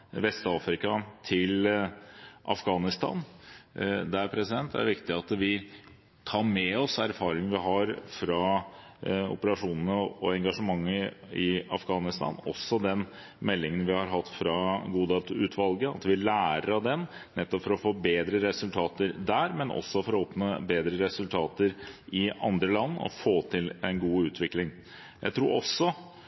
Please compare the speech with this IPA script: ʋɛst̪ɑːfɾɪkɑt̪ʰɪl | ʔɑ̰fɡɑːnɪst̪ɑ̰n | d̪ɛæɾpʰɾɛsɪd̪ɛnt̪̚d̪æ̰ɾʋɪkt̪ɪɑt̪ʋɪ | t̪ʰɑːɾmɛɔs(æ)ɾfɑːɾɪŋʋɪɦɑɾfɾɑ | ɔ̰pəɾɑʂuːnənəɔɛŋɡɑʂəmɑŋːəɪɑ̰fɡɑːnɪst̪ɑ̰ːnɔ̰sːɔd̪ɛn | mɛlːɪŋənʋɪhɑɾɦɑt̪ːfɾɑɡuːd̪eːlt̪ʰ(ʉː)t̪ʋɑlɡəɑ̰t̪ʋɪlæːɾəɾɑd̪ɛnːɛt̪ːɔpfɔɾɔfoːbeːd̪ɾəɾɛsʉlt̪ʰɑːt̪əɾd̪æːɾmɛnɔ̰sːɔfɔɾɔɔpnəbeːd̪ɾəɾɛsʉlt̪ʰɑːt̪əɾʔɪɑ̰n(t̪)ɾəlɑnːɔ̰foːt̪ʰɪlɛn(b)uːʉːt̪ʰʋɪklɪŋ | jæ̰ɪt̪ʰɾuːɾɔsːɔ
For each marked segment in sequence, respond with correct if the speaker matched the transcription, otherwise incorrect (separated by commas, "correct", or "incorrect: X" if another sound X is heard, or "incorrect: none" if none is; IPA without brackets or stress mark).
correct, correct, incorrect: d̪, incorrect: ɡ